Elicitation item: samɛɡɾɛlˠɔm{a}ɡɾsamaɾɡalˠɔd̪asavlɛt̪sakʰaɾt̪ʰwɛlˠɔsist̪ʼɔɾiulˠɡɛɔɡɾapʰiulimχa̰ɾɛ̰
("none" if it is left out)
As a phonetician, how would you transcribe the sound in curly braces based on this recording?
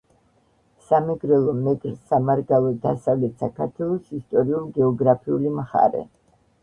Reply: ɛ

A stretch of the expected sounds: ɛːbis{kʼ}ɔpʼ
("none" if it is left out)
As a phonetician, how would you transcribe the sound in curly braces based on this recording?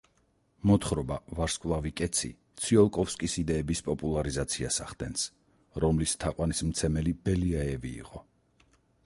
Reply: pʼ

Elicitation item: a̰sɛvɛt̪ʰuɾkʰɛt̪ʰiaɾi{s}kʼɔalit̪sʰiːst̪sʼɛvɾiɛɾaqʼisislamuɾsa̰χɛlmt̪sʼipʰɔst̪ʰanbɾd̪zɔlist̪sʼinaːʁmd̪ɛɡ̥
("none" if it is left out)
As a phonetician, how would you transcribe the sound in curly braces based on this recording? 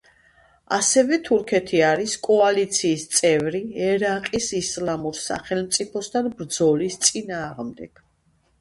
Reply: s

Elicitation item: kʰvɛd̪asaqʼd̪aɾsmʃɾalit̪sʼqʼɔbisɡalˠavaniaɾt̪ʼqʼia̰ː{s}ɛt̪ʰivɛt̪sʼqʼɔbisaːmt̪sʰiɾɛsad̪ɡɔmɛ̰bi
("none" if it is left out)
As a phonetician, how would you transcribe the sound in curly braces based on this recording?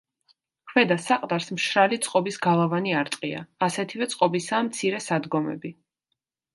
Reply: s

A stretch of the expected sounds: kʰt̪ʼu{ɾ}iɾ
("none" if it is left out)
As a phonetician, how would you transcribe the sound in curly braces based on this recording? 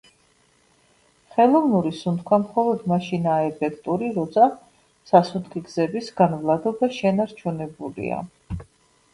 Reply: ɾ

